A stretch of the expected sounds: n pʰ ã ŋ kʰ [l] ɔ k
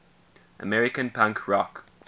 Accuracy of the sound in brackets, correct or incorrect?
incorrect: ɹ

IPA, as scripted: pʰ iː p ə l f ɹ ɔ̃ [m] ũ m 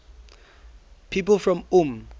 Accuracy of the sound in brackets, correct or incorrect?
correct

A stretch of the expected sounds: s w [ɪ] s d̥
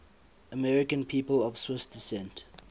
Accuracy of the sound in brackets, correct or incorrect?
correct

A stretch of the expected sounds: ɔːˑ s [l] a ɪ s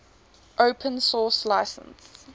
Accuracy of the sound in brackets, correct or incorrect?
correct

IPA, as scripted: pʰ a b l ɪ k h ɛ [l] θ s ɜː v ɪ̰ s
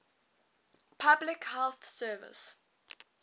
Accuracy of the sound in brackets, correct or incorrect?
correct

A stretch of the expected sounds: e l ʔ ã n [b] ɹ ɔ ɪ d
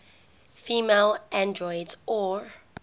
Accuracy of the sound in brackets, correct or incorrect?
incorrect: d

